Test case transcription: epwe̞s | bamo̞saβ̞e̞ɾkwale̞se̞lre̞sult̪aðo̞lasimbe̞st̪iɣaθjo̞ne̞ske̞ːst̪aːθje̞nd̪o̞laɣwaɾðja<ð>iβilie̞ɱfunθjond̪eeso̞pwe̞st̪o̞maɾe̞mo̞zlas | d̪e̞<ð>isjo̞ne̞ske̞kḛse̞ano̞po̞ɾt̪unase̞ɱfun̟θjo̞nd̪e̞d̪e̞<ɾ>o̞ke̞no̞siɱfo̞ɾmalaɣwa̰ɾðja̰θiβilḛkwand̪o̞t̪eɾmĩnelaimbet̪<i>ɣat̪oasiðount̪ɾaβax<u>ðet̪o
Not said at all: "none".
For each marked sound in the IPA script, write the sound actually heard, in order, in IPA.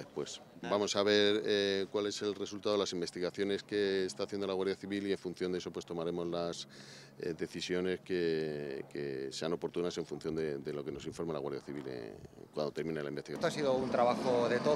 θ, θ, l, i, o

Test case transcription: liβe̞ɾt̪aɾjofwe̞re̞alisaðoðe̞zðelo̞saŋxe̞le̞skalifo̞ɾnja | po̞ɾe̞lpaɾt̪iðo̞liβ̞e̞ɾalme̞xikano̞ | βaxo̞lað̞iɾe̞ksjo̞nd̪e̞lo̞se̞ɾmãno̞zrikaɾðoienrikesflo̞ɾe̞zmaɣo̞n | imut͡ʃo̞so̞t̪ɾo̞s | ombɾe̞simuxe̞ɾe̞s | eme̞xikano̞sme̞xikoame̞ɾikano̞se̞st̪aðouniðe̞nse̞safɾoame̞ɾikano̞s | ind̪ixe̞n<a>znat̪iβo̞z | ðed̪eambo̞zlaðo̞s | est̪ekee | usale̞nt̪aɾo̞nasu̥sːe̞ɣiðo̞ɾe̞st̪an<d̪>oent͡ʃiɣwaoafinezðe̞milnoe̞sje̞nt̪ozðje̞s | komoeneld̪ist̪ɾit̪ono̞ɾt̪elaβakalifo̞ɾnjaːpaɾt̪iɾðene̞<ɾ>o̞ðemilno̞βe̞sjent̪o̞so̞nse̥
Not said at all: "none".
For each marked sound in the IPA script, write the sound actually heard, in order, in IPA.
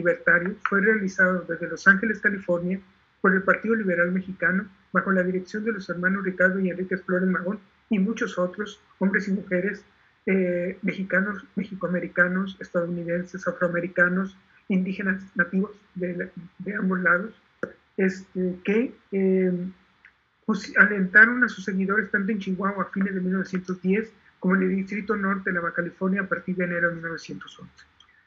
a, t̪, ɾ

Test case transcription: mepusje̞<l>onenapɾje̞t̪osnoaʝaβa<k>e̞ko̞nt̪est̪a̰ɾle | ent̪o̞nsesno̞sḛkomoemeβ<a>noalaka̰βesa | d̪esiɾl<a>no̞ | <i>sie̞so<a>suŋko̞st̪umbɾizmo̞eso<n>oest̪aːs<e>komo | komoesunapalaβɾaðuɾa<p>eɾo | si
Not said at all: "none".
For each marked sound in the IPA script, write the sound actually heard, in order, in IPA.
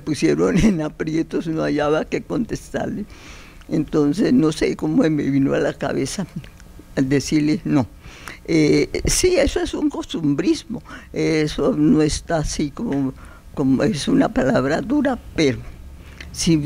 ɾ, k, i, e, e, e, n, i, p

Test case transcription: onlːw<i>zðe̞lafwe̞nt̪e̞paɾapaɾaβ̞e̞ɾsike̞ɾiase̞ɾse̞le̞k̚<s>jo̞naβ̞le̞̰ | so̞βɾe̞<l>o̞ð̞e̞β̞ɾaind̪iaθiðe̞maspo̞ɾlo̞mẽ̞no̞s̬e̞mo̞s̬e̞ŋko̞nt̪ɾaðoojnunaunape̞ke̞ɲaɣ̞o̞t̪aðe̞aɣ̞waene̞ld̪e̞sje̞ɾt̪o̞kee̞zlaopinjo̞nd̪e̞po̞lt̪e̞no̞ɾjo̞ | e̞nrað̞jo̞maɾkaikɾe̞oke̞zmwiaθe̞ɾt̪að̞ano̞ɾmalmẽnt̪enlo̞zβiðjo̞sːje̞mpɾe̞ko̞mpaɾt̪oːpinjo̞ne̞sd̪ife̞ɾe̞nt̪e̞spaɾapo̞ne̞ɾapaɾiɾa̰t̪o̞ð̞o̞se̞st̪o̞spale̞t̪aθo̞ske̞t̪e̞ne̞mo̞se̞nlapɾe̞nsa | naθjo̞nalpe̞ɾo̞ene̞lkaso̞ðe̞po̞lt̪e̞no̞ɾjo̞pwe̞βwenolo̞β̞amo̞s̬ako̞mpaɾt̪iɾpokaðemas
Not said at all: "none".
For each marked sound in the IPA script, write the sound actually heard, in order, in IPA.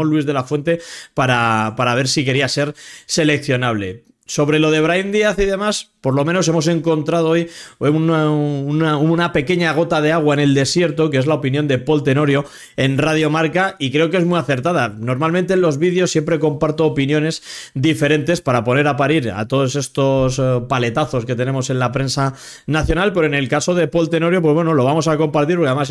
i, θ, l

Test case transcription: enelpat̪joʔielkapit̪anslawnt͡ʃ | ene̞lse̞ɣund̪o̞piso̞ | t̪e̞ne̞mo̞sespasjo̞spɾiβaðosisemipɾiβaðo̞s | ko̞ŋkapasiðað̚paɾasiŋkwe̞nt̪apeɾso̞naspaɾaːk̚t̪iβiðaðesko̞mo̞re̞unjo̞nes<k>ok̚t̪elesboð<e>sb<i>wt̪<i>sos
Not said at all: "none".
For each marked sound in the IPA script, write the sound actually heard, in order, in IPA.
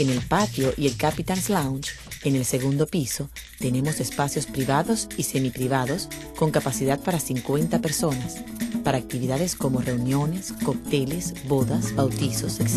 k, a, a, i

